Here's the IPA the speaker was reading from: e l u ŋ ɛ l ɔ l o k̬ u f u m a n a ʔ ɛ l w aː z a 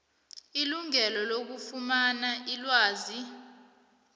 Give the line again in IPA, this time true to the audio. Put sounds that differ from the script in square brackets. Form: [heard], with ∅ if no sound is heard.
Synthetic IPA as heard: [i] l u ŋ ɛ l ɔ l o k̬ u f u m a n a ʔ [i] l w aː z [i]